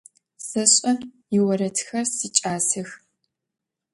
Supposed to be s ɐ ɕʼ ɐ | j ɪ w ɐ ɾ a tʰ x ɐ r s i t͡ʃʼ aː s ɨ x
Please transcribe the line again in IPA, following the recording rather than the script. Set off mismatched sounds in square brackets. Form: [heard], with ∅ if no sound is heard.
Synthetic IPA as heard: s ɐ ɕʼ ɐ | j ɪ w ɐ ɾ [ɐ] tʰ x ɐ r s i t͡ʃʼ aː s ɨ x